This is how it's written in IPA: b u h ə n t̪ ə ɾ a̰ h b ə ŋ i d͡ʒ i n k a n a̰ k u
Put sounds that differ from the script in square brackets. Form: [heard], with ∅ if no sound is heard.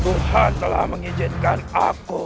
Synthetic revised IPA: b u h [a] n t̪ ə [l] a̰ h [m] ə ŋ i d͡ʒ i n k a n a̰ k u